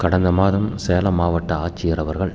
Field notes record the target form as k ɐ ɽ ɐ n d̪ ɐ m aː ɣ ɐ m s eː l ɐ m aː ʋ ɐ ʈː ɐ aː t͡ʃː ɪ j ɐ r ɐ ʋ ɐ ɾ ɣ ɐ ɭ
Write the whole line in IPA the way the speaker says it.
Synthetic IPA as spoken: k ɐ ɽ ɐ n d̪ ɐ m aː ð ɐ m s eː l ɐ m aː ʋ ɐ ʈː ɐ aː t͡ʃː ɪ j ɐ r ɐ ʋ ɐ ɾ ɣ ɐ ɭ